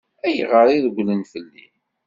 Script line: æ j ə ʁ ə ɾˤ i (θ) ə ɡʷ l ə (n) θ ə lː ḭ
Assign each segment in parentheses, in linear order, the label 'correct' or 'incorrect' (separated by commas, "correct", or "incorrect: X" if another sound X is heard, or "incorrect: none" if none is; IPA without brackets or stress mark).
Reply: incorrect: ð, correct